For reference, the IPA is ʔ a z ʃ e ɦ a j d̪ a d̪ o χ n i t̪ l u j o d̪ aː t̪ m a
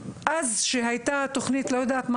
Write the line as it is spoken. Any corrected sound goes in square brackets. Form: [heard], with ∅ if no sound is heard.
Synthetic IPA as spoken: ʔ a z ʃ e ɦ a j [t̪] a [t̪] o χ n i t̪ l [o] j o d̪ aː t̪ m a